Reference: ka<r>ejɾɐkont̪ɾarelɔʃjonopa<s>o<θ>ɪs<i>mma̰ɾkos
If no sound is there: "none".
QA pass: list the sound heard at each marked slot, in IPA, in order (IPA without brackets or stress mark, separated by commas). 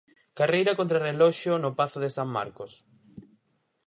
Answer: r, θ, ð, a